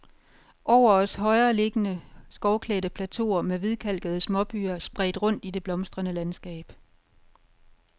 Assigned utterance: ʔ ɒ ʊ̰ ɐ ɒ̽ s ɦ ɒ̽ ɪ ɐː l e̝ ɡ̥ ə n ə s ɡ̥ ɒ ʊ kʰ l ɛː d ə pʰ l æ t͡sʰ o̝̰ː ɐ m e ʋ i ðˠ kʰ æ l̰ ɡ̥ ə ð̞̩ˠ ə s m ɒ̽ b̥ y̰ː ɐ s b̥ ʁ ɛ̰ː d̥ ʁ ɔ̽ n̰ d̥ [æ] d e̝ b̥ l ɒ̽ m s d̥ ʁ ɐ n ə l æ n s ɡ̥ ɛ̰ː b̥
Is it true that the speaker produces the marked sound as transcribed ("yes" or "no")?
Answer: no